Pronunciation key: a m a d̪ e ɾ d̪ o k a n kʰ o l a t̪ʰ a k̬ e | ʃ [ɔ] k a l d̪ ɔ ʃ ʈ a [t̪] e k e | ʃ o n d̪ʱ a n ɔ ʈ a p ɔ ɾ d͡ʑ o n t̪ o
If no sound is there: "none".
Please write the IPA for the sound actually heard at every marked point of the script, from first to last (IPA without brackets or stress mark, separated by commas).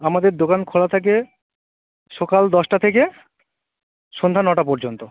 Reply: ɔ, t̪ʰ